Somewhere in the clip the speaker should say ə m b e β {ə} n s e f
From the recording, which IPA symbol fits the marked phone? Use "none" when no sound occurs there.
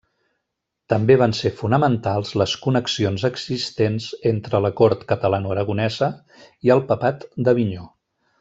a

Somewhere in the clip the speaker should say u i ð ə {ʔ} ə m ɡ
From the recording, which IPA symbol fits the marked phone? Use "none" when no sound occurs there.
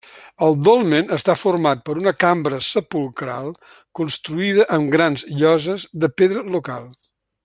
ʔ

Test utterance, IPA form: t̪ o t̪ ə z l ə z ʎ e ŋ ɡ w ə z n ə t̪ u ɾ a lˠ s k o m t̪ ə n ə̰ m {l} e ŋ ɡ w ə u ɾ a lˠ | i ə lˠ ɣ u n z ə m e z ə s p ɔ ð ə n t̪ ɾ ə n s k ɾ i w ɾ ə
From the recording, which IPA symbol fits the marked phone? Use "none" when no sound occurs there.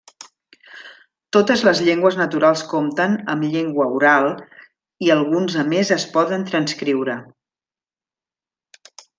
ʎ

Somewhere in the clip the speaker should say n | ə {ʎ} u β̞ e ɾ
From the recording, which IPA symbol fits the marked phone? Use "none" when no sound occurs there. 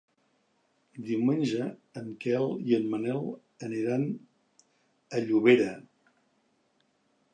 ʎ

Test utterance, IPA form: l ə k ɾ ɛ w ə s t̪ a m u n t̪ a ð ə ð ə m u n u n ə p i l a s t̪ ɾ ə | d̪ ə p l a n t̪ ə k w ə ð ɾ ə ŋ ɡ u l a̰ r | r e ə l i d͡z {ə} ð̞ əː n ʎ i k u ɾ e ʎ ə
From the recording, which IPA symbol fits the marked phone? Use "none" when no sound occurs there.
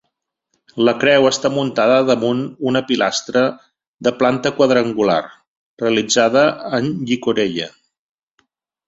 a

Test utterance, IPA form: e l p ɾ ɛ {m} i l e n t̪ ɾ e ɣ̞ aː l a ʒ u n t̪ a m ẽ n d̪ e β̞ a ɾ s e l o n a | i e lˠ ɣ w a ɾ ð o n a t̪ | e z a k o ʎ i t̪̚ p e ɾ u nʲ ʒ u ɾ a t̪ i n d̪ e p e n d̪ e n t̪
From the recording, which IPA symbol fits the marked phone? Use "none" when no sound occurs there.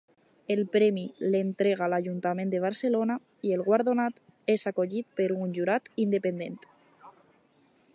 m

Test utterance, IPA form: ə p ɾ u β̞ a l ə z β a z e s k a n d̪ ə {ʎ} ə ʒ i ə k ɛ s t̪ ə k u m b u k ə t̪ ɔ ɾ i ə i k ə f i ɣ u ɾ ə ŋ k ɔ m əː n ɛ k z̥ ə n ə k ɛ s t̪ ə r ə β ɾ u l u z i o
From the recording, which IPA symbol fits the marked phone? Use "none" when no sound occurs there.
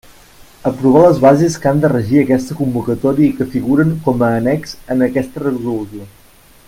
r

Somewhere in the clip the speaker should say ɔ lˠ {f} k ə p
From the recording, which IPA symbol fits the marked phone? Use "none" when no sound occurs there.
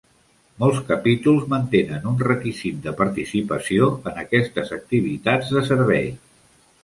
s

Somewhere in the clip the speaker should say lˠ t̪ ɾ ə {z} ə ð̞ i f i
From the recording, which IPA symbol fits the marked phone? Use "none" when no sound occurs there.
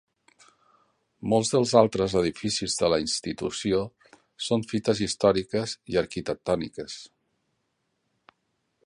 z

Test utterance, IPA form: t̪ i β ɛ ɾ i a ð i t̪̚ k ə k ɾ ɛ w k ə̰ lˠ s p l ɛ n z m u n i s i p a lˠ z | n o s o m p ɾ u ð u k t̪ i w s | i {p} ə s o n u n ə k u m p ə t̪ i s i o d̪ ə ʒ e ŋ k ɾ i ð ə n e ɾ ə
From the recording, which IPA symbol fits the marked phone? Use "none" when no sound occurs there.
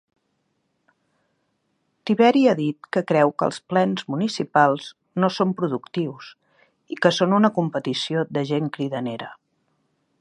k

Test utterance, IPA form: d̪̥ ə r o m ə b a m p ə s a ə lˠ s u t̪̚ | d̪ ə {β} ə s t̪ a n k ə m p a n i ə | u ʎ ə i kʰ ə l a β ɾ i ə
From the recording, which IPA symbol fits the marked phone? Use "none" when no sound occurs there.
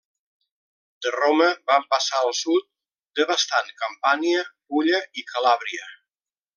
β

